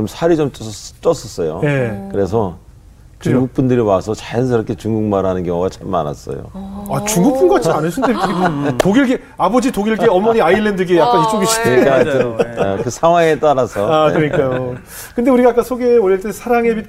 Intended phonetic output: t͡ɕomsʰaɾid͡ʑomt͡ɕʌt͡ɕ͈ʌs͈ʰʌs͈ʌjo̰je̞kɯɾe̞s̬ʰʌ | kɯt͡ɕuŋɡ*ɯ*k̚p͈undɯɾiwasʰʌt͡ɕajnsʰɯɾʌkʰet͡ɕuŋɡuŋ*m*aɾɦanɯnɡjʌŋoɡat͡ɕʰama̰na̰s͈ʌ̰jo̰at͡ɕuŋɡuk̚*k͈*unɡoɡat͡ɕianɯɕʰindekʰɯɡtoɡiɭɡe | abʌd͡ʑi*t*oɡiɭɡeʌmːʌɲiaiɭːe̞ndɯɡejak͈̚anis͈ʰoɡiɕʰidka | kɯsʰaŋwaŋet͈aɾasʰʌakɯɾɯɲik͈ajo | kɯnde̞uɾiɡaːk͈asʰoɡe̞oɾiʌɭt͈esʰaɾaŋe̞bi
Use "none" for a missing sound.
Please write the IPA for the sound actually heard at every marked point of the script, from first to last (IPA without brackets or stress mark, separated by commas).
u, m, p͈, t